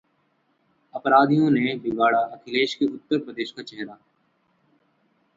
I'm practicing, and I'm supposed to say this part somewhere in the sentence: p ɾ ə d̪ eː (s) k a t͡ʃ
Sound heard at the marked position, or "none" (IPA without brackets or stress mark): ʃ